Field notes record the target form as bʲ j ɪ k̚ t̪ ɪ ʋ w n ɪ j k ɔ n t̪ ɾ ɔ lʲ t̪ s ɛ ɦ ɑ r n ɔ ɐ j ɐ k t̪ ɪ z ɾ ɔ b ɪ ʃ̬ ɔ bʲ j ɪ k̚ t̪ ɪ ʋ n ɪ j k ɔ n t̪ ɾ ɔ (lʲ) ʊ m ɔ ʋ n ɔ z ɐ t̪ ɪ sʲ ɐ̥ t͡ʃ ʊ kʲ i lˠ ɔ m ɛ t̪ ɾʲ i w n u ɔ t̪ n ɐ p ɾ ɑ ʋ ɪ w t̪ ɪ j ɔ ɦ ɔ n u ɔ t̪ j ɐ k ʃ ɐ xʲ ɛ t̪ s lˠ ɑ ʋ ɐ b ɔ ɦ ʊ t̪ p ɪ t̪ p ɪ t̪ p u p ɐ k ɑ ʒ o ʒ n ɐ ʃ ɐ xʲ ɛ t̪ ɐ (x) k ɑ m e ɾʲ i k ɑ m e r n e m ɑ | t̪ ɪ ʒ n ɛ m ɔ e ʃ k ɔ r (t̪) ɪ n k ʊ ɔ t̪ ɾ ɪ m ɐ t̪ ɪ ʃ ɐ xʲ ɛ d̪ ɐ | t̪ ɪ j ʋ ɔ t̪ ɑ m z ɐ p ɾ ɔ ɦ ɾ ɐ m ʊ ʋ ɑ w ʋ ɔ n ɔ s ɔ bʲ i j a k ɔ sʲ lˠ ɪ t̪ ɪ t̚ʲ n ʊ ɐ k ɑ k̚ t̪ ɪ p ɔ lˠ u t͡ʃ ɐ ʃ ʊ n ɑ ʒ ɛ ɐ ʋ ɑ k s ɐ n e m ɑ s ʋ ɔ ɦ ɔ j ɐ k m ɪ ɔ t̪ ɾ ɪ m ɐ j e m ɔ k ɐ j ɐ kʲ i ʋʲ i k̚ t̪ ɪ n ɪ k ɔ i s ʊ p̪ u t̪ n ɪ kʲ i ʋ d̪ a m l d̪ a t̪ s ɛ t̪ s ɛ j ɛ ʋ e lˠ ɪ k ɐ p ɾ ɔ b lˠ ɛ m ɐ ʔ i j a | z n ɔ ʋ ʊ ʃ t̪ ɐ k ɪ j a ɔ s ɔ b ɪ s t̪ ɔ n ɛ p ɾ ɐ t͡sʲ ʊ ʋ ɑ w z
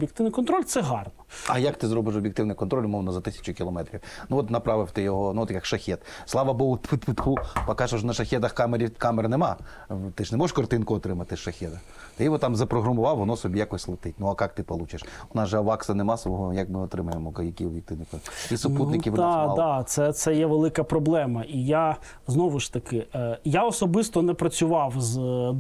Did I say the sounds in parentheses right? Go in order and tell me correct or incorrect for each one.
correct, correct, correct

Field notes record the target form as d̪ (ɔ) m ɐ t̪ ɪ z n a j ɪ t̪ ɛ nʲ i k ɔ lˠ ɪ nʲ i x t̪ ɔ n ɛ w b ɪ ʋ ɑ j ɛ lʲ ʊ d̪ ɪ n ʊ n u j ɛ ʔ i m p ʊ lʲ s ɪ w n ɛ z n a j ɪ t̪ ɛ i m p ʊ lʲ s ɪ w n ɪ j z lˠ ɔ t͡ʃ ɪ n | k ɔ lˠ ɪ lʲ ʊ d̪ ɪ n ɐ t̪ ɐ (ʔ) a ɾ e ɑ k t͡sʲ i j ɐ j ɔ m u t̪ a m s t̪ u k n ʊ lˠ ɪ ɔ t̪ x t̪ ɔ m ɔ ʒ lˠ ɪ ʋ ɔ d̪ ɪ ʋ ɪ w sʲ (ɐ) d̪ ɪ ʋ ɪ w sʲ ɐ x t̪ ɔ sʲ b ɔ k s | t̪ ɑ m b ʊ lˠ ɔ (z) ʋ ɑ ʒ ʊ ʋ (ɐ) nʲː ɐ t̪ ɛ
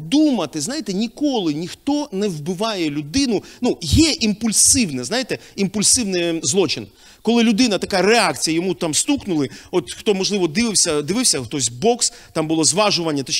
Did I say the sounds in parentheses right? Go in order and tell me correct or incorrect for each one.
incorrect: u, incorrect: k, correct, correct, correct

